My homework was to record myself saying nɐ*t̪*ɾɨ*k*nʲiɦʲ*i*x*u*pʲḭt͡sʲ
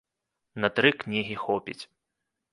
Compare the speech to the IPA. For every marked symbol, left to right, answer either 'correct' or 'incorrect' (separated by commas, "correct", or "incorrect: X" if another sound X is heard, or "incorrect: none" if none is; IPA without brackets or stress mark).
correct, correct, correct, incorrect: ɔ